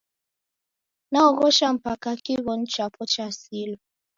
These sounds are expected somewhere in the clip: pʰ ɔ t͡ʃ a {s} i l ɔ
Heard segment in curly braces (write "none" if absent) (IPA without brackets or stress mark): s